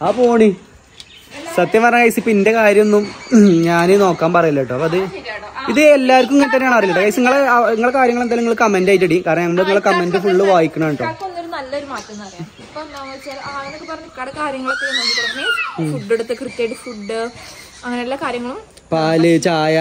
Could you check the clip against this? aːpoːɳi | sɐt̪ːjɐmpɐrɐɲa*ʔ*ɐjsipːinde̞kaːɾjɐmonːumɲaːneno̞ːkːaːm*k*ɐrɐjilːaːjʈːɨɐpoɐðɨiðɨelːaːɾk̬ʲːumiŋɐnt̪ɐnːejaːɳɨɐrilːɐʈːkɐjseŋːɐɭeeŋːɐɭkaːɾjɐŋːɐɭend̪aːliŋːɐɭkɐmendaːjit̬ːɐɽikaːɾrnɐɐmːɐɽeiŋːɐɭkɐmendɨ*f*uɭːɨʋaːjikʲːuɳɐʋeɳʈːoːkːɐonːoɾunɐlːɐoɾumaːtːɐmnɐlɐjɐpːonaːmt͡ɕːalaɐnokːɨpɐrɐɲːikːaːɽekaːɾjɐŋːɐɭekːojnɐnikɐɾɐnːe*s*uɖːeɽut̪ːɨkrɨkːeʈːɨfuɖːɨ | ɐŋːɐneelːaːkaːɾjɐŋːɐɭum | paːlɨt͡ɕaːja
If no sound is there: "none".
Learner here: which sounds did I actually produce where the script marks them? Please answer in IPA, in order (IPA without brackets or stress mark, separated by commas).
k, p, f, f